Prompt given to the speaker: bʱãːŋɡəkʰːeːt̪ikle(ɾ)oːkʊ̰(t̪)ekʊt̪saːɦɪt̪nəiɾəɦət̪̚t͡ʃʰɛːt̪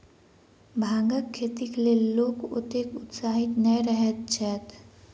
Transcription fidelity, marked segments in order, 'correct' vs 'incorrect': incorrect: l, correct

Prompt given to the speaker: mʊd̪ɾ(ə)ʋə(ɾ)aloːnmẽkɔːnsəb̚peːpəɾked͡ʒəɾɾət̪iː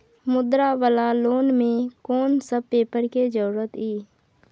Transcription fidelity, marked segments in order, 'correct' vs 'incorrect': incorrect: a, incorrect: l

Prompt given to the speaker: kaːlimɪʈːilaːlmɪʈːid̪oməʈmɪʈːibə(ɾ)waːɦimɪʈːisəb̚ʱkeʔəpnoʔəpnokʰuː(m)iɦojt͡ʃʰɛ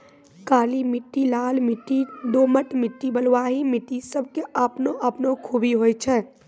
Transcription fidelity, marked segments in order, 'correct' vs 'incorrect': incorrect: l, incorrect: b

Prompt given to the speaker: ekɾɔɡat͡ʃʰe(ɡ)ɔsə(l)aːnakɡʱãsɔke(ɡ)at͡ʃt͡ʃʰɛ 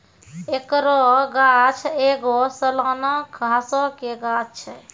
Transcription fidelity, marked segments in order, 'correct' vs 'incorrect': correct, correct, correct

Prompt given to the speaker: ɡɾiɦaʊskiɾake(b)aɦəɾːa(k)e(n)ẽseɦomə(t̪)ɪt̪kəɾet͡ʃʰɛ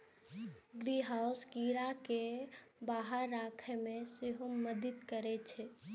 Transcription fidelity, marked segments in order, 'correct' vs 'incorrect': correct, incorrect: kʰ, incorrect: m, incorrect: d̪

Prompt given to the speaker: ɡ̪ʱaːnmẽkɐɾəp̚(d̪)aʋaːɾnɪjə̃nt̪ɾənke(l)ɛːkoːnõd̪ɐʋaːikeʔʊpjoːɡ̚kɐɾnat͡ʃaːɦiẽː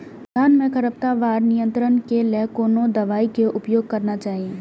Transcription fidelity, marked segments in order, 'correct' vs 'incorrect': incorrect: t̪, correct

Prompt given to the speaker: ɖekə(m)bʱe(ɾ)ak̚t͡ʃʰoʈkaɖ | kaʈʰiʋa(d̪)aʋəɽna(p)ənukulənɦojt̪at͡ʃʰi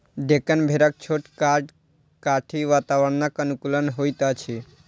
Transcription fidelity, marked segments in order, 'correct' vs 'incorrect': incorrect: n, correct, incorrect: t̪, incorrect: k

